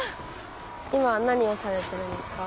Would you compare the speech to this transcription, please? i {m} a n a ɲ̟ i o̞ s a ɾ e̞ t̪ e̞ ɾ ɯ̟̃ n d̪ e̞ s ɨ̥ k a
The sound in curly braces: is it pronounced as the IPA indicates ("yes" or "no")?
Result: yes